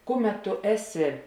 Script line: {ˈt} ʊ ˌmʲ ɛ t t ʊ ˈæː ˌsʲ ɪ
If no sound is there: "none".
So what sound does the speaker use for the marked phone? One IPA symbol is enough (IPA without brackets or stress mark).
k